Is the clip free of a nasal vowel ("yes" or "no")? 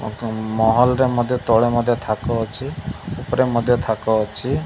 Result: yes